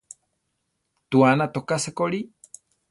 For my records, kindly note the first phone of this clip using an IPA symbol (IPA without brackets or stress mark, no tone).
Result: t̪